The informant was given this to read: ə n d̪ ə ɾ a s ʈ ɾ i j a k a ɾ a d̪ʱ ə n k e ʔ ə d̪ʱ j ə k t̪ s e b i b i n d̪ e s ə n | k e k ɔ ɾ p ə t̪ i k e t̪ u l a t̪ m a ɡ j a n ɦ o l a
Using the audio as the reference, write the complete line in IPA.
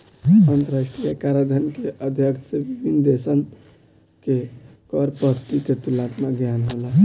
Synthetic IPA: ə n t̪ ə ɾ a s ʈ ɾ i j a k a ɾ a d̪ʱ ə n k e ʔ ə d̪ʱ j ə k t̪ s e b i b i n d̪ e s ə n | k e k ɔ ɾ p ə t̪ i k e t̪ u l a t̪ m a ɡ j a n ɦ o l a